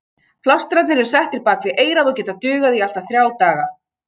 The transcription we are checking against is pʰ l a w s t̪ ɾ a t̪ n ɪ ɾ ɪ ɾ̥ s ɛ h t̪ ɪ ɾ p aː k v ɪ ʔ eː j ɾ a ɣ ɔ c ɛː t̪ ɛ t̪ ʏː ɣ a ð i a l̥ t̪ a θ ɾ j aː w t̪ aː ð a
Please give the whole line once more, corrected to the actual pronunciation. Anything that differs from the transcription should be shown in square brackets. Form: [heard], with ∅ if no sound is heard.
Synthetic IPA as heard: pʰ l a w s t̪ ɾ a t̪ n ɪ ɾ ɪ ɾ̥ s ɛ h t̪ ɪ ɾ p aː k v ɪ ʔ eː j ɾ a [ð] ɔ c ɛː t̪ [a] t̪ ʏː ɣ a ð i a l̥ t̪ a θ ɾ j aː w t̪ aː [ɣ] a